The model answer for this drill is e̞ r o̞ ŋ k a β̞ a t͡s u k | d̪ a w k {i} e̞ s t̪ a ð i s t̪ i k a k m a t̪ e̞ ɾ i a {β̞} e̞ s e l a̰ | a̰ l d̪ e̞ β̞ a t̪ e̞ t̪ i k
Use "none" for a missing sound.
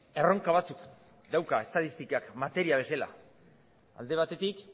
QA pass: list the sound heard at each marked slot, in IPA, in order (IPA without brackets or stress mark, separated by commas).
a, β̞